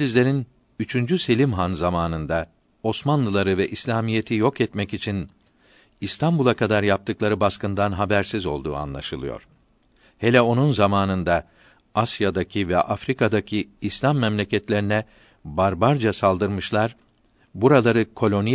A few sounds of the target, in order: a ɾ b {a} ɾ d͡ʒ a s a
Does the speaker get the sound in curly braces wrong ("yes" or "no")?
no